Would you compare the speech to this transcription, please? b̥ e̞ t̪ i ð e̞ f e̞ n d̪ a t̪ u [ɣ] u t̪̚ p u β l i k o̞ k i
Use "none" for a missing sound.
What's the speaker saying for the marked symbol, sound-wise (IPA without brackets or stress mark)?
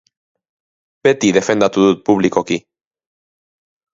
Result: ð